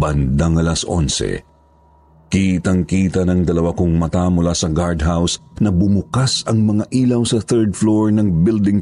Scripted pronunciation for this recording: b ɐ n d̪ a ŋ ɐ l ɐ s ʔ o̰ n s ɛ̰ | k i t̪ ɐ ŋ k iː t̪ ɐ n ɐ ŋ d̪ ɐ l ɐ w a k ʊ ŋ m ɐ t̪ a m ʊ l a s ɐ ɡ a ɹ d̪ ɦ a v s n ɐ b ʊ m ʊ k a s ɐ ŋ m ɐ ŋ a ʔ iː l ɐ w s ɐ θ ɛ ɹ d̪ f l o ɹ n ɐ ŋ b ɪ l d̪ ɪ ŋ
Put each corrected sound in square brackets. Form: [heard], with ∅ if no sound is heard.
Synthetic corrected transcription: b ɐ n d̪ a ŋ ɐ l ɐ s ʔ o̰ n s ɛ̰ | k i t̪ ɐ ŋ k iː t̪ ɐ n ɐ ŋ d̪ ɐ l ɐ w a k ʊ ŋ m ɐ t̪ a m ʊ l a s ɐ ɡ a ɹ d̪ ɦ a [w] s n ɐ b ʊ m ʊ k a s ɐ ŋ m ɐ ŋ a ʔ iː l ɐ w s ɐ θ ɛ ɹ d̪ f l o ɹ n ɐ ŋ b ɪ l d̪ ɪ ŋ